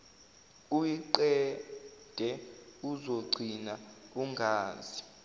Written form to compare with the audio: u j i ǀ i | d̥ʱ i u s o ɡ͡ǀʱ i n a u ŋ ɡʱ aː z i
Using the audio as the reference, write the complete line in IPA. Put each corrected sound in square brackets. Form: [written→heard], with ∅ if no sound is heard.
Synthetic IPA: u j i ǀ [i→ɛ] | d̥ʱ [i→ɛ] u [s→z] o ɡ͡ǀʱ i n a u ŋ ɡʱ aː z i